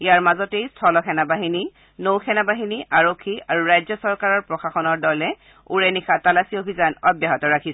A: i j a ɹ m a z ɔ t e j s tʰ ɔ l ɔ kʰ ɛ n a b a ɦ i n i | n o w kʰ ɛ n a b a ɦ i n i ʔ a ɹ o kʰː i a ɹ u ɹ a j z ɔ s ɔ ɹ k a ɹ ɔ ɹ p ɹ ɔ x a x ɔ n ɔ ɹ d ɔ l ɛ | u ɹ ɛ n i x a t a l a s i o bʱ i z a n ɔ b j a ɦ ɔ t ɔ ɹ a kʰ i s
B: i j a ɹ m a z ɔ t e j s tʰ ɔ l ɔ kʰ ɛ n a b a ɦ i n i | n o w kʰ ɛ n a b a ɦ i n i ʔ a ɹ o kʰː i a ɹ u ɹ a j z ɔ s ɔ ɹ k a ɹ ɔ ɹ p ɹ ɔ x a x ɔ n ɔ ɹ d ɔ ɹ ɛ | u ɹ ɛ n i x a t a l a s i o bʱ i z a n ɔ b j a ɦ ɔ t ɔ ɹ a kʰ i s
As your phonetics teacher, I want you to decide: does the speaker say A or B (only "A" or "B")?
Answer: A